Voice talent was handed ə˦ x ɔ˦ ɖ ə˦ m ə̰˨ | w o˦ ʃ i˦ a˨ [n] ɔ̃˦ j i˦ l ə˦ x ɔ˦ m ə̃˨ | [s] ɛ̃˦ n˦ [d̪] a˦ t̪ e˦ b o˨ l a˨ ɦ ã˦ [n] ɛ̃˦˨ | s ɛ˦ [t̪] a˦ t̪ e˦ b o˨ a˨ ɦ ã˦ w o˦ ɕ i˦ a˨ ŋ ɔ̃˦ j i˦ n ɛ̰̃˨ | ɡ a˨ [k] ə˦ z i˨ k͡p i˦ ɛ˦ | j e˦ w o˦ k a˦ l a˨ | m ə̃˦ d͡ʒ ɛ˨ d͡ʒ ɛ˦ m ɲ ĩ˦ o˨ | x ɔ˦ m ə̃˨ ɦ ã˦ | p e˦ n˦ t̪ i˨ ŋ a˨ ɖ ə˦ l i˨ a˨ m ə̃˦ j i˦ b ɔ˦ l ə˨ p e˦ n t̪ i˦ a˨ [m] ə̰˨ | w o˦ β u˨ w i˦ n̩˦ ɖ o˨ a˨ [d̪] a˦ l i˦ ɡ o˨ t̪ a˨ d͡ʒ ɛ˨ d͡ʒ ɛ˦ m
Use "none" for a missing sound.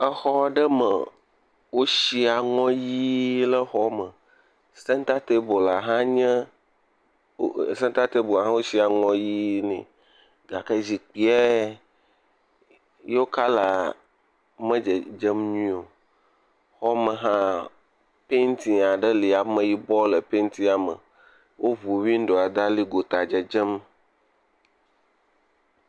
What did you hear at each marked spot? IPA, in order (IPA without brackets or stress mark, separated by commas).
ŋ, s, t̪, ɲ, t̪, k, m, d̪